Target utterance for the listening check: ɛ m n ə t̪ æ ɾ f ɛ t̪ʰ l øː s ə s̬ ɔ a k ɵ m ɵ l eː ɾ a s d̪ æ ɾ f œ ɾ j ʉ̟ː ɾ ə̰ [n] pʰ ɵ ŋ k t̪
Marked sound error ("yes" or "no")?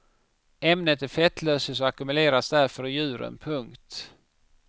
no